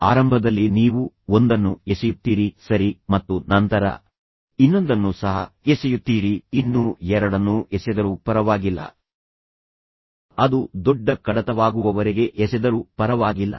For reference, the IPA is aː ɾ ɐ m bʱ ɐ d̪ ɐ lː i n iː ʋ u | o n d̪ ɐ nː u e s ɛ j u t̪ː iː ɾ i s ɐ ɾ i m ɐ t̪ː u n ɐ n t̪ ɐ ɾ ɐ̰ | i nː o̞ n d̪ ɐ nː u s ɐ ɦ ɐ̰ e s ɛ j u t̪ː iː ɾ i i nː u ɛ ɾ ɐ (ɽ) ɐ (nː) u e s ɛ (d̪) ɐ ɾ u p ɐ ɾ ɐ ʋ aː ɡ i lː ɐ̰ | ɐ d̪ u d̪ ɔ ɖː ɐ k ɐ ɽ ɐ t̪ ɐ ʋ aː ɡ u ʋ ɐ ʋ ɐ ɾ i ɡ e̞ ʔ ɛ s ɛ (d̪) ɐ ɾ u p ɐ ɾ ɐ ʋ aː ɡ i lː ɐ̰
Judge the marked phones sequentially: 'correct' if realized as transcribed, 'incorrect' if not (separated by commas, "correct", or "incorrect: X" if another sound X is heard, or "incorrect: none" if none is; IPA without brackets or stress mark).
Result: correct, correct, correct, correct